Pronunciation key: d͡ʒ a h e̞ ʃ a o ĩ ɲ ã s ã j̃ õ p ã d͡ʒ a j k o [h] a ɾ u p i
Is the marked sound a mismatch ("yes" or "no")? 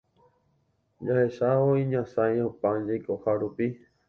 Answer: no